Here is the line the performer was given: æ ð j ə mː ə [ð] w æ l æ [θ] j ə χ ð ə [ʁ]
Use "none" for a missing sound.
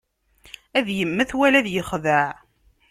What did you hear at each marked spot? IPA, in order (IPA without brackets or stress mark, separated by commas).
θ, ð, ʕ